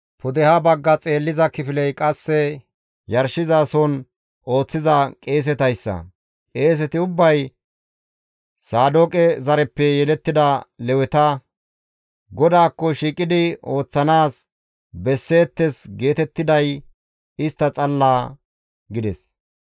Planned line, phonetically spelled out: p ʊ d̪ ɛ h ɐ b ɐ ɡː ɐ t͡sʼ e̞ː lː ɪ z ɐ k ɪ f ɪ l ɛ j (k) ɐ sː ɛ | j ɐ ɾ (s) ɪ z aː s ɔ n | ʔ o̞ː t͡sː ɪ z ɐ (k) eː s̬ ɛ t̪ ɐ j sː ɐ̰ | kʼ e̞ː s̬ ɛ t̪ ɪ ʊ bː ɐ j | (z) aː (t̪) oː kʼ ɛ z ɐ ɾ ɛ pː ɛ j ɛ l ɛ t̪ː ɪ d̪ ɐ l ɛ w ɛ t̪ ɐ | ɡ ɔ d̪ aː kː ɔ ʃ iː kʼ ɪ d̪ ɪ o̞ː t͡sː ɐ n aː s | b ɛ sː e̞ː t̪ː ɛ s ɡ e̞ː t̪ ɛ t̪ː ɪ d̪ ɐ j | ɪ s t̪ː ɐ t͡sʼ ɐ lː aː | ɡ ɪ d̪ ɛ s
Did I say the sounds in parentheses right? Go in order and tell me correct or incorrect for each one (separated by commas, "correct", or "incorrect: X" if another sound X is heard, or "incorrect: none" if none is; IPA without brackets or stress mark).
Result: incorrect: kʼ, incorrect: ʃ, incorrect: kʼ, incorrect: s, incorrect: d̪